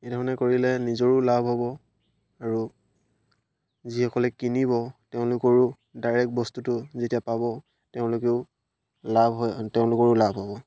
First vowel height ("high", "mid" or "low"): mid